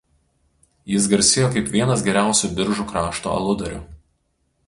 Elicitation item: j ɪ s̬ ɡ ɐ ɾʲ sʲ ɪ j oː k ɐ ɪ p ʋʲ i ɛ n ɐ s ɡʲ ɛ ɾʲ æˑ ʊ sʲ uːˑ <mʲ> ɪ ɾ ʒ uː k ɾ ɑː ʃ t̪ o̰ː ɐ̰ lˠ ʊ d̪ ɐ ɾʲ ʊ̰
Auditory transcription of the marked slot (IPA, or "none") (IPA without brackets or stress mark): bʲ